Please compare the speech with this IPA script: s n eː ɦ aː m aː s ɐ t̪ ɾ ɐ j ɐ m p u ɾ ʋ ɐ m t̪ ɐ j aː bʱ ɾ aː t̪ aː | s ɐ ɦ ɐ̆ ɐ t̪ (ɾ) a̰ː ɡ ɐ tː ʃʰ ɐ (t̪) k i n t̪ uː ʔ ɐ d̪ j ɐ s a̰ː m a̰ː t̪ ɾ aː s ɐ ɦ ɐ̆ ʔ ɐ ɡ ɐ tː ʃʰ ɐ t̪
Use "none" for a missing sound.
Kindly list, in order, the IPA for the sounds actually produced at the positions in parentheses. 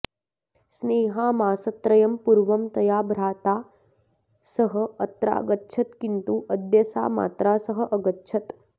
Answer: ɾ, t̪

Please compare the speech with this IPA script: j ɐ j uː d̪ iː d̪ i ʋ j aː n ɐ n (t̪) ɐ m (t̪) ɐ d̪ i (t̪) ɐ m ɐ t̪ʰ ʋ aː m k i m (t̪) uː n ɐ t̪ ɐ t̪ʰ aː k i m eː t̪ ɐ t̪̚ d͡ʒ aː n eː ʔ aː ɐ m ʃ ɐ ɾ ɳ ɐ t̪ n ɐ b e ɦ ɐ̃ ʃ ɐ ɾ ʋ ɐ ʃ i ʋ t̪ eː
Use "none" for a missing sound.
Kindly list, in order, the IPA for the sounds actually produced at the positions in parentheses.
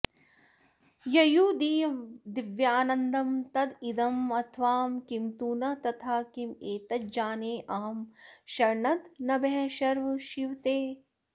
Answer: d̪, t̪, d̪, t̪

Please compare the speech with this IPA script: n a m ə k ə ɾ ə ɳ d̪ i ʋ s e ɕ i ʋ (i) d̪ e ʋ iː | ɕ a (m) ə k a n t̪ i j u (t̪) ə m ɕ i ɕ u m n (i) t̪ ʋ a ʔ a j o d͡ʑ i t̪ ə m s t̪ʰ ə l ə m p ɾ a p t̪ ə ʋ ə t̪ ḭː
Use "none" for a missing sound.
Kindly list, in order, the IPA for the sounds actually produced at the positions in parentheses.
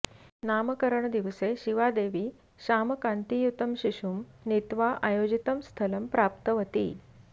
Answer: a, m, t̪, i

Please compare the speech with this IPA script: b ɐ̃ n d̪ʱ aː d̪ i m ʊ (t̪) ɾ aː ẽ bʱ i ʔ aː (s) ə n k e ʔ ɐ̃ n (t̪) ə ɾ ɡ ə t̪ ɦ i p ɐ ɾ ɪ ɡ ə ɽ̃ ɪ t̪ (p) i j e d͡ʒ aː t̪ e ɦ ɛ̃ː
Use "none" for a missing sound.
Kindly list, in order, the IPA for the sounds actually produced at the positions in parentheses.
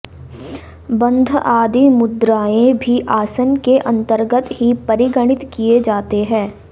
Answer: d̪, s, t̪, k

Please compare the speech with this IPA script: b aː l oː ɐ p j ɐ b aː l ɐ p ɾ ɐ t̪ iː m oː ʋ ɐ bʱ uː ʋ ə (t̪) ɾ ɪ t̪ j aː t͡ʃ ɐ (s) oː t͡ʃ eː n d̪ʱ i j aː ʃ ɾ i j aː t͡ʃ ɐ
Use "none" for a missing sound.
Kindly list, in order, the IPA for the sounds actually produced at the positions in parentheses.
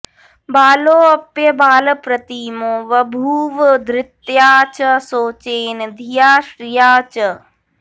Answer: d̪, s

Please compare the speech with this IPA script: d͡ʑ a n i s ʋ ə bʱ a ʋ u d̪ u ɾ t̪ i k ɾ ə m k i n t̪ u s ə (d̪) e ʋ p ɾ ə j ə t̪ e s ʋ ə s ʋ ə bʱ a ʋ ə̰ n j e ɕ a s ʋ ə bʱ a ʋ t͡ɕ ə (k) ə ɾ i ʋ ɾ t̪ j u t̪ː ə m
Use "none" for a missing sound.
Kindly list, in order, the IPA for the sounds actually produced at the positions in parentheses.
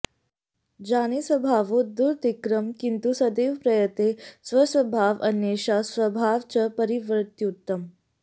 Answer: d̪, p

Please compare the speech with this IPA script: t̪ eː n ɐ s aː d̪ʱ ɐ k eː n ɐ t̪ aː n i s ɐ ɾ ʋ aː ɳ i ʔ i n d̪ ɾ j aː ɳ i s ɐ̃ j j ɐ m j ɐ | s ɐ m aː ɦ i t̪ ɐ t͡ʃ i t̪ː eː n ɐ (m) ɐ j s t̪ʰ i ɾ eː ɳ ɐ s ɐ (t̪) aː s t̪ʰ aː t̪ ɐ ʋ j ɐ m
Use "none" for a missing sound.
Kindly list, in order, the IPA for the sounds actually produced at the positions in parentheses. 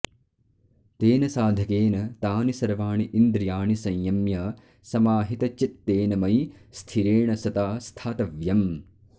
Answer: m, t̪

